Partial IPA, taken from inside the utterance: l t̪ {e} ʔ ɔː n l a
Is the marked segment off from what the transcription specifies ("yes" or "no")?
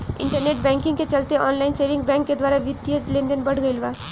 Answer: no